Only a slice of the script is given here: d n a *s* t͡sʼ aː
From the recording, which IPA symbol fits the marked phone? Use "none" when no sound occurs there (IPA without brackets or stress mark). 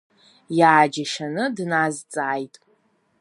z